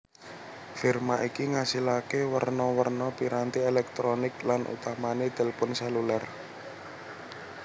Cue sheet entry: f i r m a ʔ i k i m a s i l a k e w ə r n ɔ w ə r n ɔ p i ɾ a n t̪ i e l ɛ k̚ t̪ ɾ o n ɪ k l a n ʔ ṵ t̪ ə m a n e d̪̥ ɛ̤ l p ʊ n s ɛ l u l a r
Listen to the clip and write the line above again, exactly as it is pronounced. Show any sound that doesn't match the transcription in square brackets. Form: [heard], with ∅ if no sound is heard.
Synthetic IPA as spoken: f i r m a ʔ i k i [ŋ] a s i l a k e w ə r n ɔ w ə r n ɔ p i ɾ a n t̪ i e l ɛ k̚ t̪ ɾ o n ɪ k l a n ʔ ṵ t̪ [a] m a n e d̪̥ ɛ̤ l p ʊ n s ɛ l u l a r